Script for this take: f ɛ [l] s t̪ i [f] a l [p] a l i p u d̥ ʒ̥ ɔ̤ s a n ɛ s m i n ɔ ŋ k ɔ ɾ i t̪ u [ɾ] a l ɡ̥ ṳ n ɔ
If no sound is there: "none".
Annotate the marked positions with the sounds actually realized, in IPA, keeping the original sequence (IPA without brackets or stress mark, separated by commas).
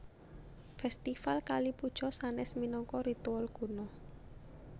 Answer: none, f, k, none